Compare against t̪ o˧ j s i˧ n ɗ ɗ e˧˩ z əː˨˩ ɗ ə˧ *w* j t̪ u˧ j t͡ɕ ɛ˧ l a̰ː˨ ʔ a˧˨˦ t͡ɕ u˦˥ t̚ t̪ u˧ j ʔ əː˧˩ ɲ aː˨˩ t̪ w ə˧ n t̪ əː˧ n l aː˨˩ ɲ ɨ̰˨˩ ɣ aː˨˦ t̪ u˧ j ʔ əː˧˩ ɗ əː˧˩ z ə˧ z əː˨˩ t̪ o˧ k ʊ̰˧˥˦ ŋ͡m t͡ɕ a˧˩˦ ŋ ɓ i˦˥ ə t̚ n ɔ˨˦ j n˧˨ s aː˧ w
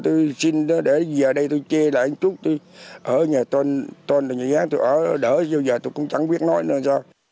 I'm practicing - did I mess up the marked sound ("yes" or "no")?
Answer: yes